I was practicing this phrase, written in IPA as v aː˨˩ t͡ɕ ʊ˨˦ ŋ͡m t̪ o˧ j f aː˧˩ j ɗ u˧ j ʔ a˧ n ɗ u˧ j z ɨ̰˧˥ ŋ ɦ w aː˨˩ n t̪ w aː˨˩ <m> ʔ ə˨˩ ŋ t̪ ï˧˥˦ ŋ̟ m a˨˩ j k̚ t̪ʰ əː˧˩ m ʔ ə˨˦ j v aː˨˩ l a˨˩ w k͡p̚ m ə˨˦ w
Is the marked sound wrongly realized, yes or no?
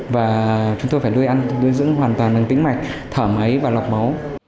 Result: yes